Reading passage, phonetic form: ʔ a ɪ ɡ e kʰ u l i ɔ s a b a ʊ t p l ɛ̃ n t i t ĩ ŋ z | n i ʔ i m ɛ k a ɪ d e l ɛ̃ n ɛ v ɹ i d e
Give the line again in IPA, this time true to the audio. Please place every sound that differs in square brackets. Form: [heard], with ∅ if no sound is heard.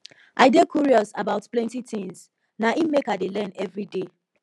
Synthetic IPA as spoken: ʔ a ɪ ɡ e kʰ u [ɹ] i ɔ s a b a ʊ t p l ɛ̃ n t i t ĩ ŋ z | n [a] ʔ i m [e] k a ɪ d e l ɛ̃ n ɛ v ɹ i d e

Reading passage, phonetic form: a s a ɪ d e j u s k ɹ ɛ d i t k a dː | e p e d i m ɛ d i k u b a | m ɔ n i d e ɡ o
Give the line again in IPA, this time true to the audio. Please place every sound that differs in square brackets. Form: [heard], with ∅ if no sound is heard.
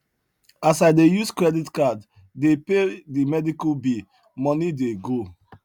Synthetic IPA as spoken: a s a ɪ d e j u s k ɹ ɛ d i t k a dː | e p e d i m ɛ d i k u b [i] | m ɔ n i d e ɡ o

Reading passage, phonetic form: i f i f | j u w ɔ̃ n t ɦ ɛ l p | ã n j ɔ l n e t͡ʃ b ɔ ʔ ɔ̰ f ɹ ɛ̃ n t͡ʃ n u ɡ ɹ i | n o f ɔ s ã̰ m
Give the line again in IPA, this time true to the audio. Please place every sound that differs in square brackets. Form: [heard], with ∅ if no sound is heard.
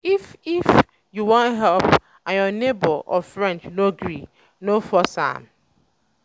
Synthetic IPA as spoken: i f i f | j u w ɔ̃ n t ɦ ɛ l p | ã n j ɔ [∅] n e [∅] b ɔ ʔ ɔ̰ f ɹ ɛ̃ n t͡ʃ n [o] ɡ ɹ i | n o f ɔ s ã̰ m

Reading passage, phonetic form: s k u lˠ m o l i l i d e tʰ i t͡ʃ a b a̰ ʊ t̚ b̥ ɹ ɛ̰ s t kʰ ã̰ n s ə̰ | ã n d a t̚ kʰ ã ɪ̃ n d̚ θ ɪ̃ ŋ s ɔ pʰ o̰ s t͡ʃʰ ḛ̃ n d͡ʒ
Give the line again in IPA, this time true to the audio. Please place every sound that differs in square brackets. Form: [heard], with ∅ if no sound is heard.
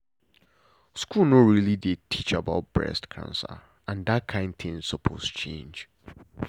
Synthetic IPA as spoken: s k u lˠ [n] o [ɹ] i l i d e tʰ i t͡ʃ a b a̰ ʊ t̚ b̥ ɹ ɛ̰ s t kʰ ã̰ n s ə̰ | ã n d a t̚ kʰ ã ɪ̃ n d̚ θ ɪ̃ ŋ s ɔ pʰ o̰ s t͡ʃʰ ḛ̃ n d͡ʒ

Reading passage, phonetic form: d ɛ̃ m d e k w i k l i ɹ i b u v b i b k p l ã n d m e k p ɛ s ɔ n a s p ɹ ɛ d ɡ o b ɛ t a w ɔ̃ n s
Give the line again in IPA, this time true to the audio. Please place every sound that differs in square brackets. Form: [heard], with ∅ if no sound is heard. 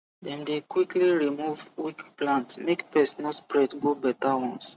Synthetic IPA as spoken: d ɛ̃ m d e k w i k l i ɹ i [m] u v [w] i [∅] k p l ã n [t] m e k p ɛ s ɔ n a s p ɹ ɛ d ɡ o b ɛ t a w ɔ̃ n s

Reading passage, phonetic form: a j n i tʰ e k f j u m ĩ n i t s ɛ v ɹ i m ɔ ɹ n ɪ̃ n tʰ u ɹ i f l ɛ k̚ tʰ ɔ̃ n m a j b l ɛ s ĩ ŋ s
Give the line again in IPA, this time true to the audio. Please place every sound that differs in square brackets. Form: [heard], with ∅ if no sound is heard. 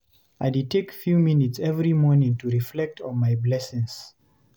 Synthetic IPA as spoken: a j [d] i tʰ e k f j u m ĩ n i t s ɛ v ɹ i m ɔ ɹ n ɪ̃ [ŋ] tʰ u ɹ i f l ɛ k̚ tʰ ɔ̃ n m a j b l ɛ s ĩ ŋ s

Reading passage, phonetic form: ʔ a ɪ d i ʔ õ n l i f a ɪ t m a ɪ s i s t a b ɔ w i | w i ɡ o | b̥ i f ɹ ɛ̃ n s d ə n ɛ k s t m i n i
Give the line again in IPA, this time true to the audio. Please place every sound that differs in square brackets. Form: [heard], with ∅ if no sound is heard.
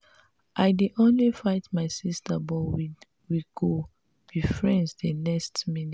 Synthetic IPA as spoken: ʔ a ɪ d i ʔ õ n l i f a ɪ t m a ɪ s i s t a b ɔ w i | w i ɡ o | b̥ i f ɹ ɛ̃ n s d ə n ɛ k s t m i n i

